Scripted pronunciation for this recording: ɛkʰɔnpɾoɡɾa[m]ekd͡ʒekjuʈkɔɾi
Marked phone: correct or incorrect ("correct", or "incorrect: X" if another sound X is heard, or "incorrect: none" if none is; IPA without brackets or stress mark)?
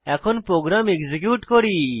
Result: correct